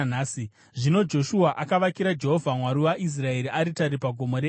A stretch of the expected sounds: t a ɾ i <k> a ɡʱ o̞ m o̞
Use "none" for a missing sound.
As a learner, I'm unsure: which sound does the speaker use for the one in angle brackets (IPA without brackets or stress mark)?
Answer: p